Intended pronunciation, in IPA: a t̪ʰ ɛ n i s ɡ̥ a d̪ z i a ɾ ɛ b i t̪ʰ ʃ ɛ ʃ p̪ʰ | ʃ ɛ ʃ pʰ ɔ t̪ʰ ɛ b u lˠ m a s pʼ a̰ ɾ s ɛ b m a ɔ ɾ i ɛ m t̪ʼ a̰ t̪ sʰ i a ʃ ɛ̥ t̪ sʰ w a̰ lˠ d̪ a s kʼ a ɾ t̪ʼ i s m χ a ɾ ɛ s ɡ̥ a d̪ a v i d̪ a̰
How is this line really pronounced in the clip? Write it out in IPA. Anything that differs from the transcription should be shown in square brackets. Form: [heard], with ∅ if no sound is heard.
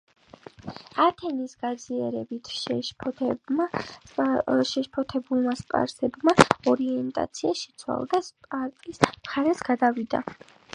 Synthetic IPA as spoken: a t̪ʰ ɛ n i s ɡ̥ a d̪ z i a ɾ ɛ b i t̪ʰ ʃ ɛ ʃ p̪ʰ | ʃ ɛ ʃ pʰ ɔ t̪ʰ ɛ b u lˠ m a s pʼ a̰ ɾ s ɛ b m a ɔ ɾ i ɛ [n] t̪ʼ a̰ t̪ sʰ i a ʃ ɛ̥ t̪ sʰ w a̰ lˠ d̪ a s [pʼ] a ɾ t̪ʼ i s m χ a ɾ ɛ s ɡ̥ a d̪ a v i d̪ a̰